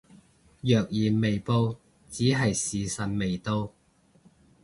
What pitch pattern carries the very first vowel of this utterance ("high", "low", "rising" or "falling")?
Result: low